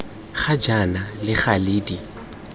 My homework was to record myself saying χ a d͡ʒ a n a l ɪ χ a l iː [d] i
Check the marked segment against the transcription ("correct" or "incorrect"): correct